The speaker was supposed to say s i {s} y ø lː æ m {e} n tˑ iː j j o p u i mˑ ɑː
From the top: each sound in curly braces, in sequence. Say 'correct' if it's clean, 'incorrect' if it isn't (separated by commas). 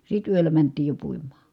incorrect, incorrect